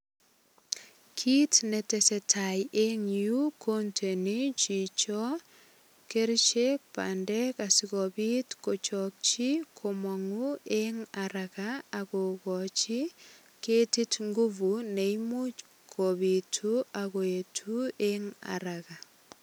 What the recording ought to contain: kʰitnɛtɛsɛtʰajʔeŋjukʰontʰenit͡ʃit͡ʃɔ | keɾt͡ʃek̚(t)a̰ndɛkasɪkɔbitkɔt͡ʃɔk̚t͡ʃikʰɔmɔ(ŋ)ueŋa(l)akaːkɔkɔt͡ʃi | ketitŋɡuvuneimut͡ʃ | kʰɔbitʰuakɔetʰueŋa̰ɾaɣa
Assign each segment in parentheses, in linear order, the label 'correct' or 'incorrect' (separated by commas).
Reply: incorrect, correct, incorrect